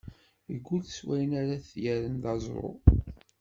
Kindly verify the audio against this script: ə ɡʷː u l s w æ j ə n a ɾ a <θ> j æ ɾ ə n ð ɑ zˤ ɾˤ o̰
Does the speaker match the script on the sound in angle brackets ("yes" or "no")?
yes